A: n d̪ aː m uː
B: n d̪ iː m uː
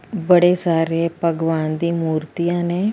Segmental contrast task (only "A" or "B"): B